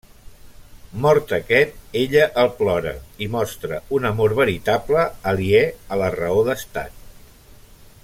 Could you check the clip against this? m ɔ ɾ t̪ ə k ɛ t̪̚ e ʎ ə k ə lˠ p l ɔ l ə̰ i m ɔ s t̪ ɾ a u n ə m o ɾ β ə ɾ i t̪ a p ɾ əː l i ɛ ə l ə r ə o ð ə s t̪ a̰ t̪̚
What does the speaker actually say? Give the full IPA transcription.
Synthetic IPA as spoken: m ɔ ɾ t̪ ə k ɛ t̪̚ e ʎ ə ʔ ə lˠ p l ɔ ɾ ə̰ i m ɔ s t̪ ɾ ə u n ə m o ɾ β ə ɾ i t̪ a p l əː l i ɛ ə l ə r ə o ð ə s t̪ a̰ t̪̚